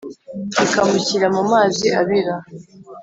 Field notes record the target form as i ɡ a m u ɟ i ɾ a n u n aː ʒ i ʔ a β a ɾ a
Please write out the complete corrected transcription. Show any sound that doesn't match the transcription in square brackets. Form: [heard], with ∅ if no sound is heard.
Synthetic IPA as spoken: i [k] a m u [c] i ɾ a [m] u [m] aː [z] i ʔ a β [i] ɾ a